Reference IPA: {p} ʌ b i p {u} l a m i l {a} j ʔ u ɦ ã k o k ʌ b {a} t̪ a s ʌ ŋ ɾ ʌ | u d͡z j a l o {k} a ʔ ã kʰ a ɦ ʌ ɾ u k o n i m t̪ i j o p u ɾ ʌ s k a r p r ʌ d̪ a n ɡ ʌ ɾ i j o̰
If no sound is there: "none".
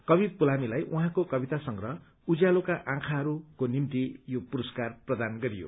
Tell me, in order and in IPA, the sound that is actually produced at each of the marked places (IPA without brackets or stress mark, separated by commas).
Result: k, u, a, i, k